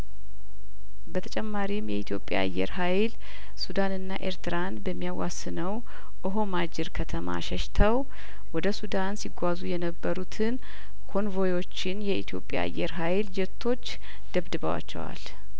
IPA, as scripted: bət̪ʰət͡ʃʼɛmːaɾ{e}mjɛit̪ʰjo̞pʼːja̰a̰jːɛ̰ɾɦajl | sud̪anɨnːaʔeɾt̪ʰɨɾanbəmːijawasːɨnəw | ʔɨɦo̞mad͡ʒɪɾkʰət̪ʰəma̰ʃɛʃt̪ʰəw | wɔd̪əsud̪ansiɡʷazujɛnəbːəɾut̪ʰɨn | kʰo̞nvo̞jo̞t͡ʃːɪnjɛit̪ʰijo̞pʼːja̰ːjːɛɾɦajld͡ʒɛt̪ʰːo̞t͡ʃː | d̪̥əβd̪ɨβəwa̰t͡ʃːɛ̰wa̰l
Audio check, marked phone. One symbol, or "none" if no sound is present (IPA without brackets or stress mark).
i